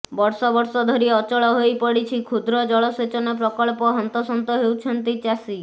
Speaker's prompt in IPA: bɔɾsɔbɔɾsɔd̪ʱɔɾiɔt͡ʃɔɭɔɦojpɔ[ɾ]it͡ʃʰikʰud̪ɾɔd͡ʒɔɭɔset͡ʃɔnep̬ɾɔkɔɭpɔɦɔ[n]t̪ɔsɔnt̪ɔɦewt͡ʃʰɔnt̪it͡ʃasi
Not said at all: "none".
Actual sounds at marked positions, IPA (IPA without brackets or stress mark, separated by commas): ɽ, n